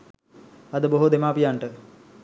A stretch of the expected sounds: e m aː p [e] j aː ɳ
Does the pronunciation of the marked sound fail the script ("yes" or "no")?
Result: yes